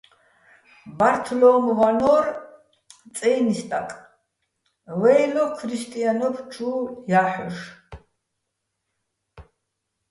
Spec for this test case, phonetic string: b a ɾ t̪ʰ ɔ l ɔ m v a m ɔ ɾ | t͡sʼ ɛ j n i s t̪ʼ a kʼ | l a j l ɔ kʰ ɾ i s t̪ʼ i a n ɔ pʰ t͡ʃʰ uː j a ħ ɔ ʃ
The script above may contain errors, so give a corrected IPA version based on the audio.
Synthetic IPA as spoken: b a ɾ t̪ʰ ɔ l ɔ m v a n ɔ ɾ | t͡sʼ ɛ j n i s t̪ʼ a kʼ | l ɛ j l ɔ kʰ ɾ i s t̪ʼ i a n ɔ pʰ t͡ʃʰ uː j a ħ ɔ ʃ

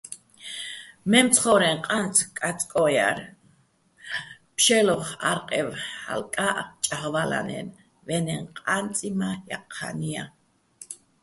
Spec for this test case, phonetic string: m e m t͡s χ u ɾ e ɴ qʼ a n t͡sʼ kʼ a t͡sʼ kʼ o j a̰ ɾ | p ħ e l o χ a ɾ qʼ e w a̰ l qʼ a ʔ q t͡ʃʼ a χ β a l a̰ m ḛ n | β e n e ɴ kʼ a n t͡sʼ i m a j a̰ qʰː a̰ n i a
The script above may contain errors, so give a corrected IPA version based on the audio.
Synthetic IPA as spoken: m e m t͡s χ o ɾ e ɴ qʼ a n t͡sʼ kʼ a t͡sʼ kʼ o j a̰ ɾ | p ʃ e l o χ a ɾ qʼ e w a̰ l kʼ a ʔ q t͡ʃʼ a χ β a l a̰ n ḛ n | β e n e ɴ qʼ a n t͡sʼ i m a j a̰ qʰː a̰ n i a

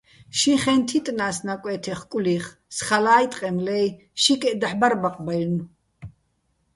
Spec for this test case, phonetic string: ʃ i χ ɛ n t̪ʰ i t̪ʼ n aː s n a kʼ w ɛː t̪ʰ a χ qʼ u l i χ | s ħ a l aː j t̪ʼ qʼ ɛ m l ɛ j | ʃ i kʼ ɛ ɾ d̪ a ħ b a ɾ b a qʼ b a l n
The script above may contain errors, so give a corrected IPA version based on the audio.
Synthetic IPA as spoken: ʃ i χ ɛ n t̪ʰ i t̪ʼ n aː s n a kʼ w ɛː t̪ʰ ɛ χ kʼ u l i χ | s χ a l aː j t̪ʼ qʼ ɛ m l ɛ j | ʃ i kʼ ɛ d̪ a ħ b a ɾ b a qʼ b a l n

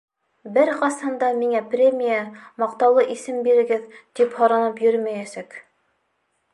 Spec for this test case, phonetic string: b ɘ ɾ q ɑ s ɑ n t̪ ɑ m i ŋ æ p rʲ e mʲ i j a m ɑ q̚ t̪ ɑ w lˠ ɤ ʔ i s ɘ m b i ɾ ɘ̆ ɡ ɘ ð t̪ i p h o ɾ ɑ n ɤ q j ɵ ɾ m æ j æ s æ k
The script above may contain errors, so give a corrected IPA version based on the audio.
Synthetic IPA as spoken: b ɘ ɾ q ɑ s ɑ n d̪ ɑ m i ŋ æ p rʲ e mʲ i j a m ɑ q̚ t̪ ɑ w lˠ ɤ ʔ i s ɘ m b i ɾ ɘ̆ ɡ ɘ ð t̪ i p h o ɾ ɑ n ɤ p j ɵ ɾ m æ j æ s æ k

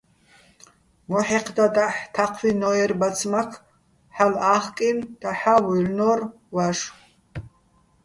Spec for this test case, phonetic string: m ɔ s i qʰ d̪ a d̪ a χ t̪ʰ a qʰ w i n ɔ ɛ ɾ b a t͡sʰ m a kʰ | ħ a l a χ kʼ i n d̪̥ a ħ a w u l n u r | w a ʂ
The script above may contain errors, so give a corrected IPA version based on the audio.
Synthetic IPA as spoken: m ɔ ħ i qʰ d̪ a d̪ a ħ t̪ʰ a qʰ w i n ɔ ɛ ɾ b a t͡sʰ m a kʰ | ħ a l a χ kʼ i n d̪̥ a ħ a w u l n ɔ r | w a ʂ

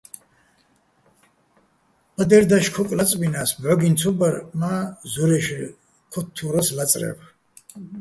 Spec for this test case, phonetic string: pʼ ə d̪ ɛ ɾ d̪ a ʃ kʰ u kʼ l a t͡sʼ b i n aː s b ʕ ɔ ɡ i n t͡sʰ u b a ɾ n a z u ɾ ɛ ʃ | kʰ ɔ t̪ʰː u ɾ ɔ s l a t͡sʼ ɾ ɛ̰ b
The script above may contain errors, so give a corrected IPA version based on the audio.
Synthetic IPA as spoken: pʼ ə d̪ ɛ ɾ d̪ a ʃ kʰ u kʼ l a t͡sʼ b i n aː s b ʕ ɔ ɡ i n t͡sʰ u b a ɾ m a z u ɾ ɛ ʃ | kʰ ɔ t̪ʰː u ɾ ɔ s l a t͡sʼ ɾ ɛ̰ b

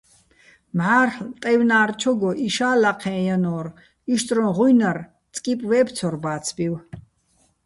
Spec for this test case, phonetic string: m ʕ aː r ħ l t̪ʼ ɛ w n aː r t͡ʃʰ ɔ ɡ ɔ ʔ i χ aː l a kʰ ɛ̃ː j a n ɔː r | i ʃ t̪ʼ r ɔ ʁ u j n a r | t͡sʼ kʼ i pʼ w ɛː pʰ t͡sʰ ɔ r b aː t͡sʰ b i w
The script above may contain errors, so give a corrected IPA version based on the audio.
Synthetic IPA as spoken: m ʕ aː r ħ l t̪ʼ ɛ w n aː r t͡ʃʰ ɔ ɡ ɔ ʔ i ʃ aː l a qʰ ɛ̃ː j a n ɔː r | i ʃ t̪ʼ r ɔ ʁ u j n a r | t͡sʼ kʼ i pʼ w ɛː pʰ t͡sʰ ɔ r b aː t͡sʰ b i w

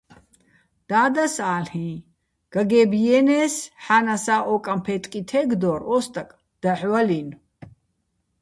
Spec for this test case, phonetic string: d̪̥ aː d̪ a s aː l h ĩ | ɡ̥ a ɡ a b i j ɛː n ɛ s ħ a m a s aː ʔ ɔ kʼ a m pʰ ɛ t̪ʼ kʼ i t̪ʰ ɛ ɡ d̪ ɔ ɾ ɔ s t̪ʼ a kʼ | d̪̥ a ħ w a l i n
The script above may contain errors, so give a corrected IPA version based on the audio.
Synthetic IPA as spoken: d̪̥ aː d̪ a s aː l h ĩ | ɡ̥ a ɡ ɛ b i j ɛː n ɛ s ħ a n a s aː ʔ ɔ kʼ a m pʰ ɛ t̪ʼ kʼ i t̪ʰ ɛ ɡ d̪ ɔ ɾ ɔ s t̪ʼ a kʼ | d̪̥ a ħ w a l i n

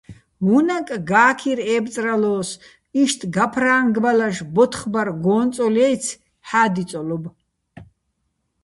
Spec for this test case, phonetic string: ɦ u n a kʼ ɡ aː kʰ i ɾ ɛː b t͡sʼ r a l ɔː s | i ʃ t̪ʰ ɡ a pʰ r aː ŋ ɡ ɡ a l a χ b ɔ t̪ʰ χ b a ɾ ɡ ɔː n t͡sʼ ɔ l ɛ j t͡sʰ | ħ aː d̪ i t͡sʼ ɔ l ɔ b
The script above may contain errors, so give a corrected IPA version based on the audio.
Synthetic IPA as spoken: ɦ u n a kʼ ɡ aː kʰ i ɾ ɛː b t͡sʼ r a l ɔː s | i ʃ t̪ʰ ɡ a pʰ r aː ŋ ɡ b a l a ʃ b ɔ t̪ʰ χ b a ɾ ɡ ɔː n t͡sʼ ɔ l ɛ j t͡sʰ | ħ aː d̪ i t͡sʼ ɔ l ɔ b

